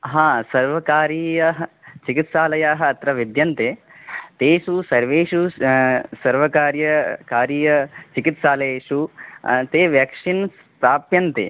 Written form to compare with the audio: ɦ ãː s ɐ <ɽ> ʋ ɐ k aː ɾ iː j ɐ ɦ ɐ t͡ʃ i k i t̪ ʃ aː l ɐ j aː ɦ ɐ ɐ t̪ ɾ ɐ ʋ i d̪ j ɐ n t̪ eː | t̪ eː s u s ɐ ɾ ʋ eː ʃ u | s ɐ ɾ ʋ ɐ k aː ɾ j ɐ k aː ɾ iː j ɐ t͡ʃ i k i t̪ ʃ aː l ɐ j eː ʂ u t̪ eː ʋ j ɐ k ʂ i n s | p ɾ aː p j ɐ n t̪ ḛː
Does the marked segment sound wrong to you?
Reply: yes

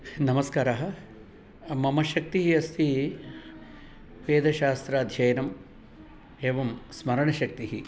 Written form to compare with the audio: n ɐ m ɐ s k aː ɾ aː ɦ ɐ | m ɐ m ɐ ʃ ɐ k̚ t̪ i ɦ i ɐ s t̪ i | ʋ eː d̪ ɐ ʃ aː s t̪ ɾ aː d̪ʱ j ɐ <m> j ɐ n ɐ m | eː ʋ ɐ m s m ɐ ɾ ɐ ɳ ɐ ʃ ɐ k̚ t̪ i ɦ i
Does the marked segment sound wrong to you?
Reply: yes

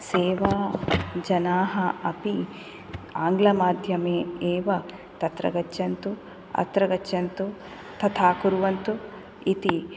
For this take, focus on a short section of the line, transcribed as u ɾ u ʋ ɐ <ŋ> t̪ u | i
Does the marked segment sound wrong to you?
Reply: yes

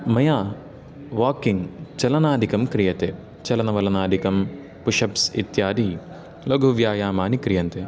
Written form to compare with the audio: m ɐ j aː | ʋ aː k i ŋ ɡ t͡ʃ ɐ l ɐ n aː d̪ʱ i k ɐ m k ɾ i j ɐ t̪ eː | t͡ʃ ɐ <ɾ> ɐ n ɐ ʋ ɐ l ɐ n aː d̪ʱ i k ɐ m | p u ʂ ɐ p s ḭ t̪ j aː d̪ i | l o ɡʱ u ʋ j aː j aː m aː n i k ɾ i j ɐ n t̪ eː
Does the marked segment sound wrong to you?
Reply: yes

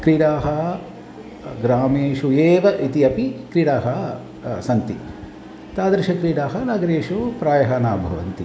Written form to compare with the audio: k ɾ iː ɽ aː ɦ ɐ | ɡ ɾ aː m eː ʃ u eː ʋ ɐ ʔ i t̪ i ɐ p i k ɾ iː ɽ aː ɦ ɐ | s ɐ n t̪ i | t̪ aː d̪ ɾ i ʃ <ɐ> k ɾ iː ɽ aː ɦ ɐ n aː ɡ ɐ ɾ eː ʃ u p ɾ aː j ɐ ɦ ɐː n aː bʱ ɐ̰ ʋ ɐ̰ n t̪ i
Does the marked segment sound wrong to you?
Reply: no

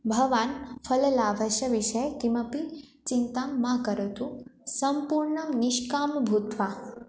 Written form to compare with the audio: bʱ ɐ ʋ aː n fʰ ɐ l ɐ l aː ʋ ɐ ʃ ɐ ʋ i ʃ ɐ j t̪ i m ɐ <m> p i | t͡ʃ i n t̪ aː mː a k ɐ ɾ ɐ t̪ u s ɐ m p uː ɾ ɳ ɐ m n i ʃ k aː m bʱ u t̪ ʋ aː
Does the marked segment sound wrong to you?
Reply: yes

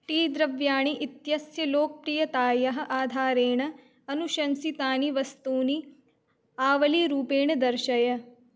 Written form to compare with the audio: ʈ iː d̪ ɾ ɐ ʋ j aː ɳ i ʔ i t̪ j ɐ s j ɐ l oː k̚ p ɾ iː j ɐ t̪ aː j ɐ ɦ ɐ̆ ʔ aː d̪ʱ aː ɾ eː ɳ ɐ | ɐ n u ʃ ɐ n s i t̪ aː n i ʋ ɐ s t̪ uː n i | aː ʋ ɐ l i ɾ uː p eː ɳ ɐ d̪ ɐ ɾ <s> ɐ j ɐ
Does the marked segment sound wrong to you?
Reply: yes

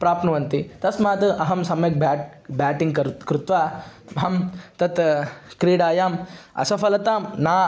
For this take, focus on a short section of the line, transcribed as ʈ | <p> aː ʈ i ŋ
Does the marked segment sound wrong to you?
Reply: yes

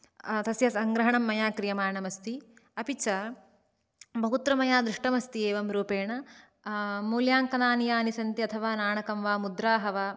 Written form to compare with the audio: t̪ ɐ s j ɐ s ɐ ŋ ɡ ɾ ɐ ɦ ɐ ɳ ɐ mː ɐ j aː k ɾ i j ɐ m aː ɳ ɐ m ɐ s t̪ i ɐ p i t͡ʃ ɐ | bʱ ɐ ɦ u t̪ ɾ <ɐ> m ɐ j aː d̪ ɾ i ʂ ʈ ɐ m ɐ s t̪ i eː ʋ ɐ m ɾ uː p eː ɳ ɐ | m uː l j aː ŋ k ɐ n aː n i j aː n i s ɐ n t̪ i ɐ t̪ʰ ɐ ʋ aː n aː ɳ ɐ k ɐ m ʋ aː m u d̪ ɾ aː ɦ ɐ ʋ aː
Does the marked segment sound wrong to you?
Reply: no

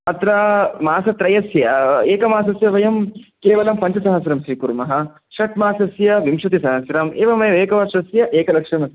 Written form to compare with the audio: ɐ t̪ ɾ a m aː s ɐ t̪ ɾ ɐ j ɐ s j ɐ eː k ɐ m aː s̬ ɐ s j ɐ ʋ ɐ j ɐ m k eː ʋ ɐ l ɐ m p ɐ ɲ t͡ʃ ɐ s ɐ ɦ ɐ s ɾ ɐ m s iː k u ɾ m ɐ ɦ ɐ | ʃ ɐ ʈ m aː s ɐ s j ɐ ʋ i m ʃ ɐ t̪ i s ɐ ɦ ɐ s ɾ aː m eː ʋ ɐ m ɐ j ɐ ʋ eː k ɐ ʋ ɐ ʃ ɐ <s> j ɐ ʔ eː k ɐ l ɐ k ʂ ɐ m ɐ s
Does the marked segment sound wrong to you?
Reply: no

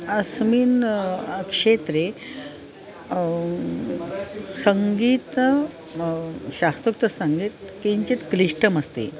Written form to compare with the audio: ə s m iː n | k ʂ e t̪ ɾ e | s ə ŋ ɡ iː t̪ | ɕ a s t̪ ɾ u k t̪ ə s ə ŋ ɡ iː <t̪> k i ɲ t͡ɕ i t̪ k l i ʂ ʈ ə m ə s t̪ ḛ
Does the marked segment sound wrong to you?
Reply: no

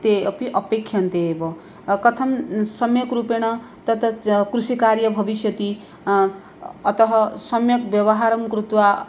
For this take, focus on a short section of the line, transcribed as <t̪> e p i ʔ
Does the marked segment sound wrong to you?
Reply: no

